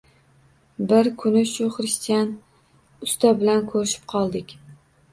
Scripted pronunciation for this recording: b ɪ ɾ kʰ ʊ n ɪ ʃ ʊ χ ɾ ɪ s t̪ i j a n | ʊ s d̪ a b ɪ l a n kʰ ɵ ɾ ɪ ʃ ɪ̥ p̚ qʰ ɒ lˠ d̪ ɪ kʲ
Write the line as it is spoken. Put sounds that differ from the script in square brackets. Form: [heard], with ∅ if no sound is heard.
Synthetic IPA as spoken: b ɪ ɾ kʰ ʊ n ɪ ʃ ʊ χ ɾ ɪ s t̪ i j a n | ʊ s [t̪] a b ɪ l a n kʰ ɵ ɾ ɪ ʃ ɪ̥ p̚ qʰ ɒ lˠ d̪ ɪ kʲ